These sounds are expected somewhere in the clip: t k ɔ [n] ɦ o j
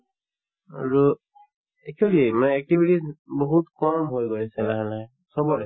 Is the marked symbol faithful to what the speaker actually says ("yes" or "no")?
no